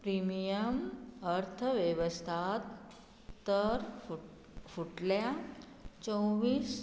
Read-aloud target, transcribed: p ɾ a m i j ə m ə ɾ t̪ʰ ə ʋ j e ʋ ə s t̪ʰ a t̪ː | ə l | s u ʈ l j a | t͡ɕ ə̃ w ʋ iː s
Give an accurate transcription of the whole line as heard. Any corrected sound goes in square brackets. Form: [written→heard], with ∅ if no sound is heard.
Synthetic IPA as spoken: p ɾ [a→i] m i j ə m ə ɾ t̪ʰ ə ʋ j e ʋ ə s t̪ʰ a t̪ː | ə [l→ɾ] | [s→f] u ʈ l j a | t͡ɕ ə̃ w ʋ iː s